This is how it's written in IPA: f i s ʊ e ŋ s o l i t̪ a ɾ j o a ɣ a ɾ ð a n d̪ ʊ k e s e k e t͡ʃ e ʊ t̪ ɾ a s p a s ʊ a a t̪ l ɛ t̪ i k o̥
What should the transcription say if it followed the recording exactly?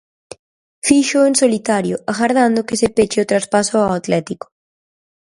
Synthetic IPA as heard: f i ʃ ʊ e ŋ s o l i t̪ a ɾ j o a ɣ a ɾ ð a n d̪ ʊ k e s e p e t͡ʃ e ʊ t̪ ɾ a s p a s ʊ a a t̪ l ɛ t̪ i k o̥